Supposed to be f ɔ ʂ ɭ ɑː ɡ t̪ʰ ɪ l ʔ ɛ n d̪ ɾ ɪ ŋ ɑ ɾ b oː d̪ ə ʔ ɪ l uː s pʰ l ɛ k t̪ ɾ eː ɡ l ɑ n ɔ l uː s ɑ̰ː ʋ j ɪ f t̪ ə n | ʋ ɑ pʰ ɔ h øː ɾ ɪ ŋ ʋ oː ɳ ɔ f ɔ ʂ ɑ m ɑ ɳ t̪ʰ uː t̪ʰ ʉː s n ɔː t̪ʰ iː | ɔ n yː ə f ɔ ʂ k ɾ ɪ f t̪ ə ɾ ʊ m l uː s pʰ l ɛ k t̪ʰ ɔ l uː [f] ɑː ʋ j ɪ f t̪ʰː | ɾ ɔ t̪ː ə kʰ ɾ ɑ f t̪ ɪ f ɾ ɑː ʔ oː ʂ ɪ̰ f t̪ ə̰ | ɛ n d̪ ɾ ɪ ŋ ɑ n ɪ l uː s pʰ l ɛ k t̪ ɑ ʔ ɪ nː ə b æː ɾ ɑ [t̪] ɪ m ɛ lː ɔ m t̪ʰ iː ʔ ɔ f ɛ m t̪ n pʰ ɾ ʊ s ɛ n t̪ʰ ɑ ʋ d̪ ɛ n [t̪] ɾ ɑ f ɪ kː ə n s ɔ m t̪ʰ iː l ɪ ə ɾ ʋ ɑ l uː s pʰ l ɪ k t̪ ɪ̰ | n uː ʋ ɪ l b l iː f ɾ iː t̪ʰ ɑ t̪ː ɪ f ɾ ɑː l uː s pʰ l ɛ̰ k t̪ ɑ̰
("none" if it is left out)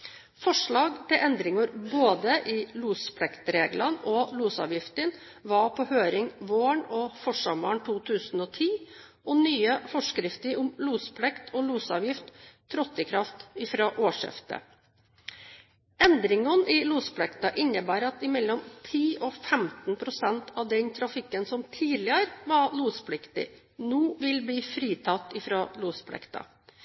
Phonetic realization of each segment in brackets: s, t̪, t̪ʰ

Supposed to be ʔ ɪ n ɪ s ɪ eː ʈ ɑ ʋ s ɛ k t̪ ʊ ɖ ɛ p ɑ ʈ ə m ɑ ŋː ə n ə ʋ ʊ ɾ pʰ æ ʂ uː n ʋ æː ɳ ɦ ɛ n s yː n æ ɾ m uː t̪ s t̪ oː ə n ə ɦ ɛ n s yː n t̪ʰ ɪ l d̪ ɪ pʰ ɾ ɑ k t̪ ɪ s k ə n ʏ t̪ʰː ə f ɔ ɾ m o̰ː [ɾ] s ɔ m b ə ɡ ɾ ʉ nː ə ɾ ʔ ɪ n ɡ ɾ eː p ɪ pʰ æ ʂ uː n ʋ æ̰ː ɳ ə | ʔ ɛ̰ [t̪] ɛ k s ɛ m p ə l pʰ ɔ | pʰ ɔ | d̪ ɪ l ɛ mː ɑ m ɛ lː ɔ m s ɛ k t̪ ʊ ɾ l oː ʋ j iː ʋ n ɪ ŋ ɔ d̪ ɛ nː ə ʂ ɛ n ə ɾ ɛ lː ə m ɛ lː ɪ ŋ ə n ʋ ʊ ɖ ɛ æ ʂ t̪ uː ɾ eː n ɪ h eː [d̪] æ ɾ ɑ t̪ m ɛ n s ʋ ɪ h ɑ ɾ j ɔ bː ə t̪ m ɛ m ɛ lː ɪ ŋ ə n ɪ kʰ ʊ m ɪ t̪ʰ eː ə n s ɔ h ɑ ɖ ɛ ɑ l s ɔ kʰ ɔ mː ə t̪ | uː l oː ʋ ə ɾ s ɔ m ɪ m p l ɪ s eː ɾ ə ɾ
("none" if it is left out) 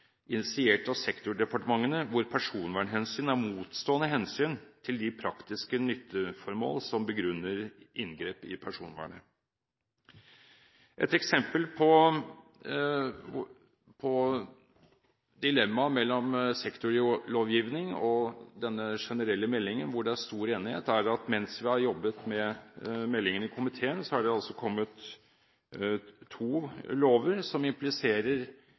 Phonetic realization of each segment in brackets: l, t̪, t̪

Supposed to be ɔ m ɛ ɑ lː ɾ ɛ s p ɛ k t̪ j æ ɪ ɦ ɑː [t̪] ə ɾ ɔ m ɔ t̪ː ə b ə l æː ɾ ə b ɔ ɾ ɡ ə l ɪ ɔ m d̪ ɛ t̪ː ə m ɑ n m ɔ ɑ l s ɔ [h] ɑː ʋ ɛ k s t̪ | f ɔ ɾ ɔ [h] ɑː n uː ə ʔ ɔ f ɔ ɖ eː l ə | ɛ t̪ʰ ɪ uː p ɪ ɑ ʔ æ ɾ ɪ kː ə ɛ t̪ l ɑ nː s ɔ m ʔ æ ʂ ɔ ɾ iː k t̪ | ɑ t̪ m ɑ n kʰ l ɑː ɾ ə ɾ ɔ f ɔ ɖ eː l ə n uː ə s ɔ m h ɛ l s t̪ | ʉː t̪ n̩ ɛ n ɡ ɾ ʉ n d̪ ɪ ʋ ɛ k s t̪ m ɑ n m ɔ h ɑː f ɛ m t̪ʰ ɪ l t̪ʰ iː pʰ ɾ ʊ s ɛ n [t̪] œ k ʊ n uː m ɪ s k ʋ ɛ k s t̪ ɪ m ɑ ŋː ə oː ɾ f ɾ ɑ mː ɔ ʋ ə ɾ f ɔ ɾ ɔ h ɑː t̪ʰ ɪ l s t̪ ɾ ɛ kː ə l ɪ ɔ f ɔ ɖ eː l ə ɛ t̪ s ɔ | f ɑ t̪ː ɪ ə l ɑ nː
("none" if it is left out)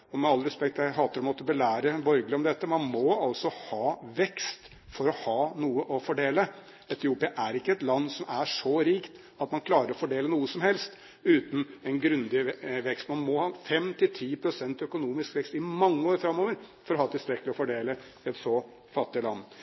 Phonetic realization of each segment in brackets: t̪, h, h, t̪

